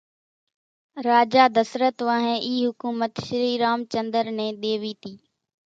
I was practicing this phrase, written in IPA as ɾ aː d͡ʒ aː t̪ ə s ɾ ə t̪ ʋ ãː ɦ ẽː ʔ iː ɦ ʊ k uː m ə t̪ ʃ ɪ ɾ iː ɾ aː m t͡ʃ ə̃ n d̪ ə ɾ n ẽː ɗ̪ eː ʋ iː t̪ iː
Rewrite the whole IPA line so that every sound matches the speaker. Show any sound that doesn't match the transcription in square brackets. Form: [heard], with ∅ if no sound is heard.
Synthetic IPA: ɾ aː d͡ʒ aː [d̪] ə s ɾ ə t̪ ʋ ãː ɦ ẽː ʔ iː ɦ ʊ k uː m ə t̪ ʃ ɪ ɾ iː ɾ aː m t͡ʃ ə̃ n d̪ ə ɾ n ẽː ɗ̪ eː ʋ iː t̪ iː